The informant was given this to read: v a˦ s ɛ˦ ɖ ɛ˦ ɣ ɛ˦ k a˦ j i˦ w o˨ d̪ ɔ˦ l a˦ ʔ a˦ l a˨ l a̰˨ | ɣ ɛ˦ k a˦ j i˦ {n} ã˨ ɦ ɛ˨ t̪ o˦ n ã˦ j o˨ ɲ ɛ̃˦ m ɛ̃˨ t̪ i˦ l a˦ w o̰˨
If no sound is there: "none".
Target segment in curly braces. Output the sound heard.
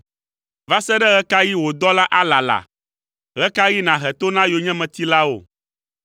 n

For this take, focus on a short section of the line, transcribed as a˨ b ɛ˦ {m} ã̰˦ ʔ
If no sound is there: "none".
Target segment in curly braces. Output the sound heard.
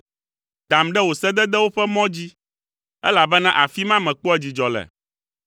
n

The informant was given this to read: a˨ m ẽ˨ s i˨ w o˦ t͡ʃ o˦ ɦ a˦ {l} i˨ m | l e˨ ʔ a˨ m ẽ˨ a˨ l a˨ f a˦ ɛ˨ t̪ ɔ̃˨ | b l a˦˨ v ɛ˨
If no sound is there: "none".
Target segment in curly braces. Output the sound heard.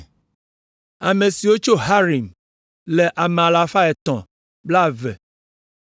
ɾ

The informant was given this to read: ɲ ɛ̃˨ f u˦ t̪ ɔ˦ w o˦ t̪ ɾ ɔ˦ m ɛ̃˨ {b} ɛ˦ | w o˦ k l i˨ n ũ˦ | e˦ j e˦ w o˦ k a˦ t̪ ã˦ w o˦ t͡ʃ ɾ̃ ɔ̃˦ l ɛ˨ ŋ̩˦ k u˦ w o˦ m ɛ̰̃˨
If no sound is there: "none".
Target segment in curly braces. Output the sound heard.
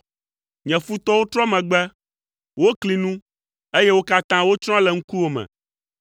ɡ͡b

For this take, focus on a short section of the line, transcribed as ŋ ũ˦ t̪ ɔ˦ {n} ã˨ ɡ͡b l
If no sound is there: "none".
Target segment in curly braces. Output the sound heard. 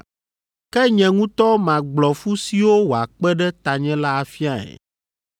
m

